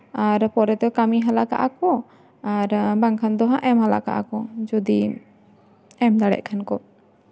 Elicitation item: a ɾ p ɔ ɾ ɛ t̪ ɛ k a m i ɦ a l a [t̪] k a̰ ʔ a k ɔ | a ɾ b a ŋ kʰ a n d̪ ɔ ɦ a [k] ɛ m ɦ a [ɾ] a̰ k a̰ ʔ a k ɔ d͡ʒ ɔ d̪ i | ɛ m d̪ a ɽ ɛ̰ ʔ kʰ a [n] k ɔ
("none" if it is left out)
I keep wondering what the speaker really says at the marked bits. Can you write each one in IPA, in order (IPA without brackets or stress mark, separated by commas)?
none, ʔ, l, n